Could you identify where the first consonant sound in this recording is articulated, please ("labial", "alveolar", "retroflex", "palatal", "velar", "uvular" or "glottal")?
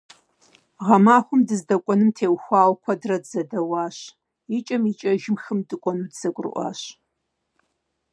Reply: uvular